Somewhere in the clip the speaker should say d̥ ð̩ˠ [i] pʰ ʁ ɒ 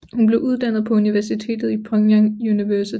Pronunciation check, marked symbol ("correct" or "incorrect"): correct